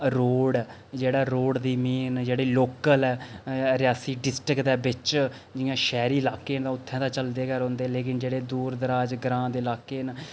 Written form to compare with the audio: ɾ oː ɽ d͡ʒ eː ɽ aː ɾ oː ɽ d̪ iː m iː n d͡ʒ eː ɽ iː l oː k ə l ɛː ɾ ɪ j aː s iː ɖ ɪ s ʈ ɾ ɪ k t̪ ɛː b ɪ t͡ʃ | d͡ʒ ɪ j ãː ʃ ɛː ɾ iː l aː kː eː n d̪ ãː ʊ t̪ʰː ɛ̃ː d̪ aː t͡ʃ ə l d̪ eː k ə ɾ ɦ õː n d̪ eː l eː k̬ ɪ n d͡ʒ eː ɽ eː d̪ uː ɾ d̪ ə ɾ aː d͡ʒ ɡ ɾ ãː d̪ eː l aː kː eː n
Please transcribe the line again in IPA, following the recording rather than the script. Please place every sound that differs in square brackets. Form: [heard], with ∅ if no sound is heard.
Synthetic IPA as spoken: ɾ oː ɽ d͡ʒ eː ɽ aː ɾ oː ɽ d̪ iː m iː n d͡ʒ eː ɽ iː l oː k ə l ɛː ɾ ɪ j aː s iː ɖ ɪ s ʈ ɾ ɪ k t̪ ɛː b ɪ t͡ʃ | d͡ʒ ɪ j ãː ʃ ɛː ɾ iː l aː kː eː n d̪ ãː ʊ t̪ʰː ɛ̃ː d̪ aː t͡ʃ ə l d̪ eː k ə ɾ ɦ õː n d̪ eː l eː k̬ ɪ n d͡ʒ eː ɽ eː d̪ uː ɾ d̪ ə ɾ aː d͡ʒ ɡ ɾ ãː d̪ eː l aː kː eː n